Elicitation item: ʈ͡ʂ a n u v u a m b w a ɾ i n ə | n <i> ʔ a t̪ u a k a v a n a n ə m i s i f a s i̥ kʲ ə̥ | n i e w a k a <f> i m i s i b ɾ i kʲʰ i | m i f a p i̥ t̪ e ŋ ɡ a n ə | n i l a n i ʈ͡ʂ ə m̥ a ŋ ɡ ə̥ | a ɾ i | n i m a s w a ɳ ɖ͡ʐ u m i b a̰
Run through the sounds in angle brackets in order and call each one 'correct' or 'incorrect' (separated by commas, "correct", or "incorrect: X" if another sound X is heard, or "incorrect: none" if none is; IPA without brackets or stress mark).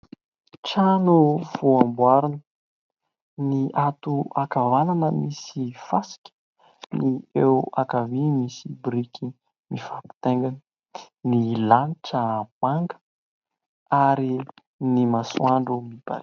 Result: correct, incorrect: v